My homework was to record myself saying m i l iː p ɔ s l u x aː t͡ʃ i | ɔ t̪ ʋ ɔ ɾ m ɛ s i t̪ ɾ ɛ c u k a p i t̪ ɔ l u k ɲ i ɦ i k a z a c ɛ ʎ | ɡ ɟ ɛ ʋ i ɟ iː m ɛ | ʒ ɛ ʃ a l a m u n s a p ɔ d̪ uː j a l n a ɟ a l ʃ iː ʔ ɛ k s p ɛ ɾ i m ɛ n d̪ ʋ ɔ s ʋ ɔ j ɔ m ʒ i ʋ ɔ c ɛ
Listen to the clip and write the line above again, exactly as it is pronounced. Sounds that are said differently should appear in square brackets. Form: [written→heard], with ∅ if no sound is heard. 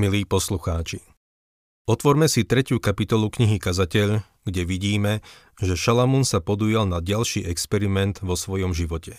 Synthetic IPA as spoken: m i l iː p ɔ s l u x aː t͡ʃ i | ɔ t̪ ʋ ɔ ɾ m ɛ s i t̪ ɾ ɛ c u k a p i t̪ ɔ l u k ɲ i ɦ i k a z a c ɛ ʎ | ɡ ɟ ɛ ʋ i ɟ iː m ɛ | ʒ ɛ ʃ a l a m u n s a p ɔ d̪ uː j a l n a ɟ a l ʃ iː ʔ ɛ k s p ɛ ɾ i m ɛ n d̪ ʋ ɔ s ʋ ɔ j ɔ m ʒ i ʋ ɔ c ɛ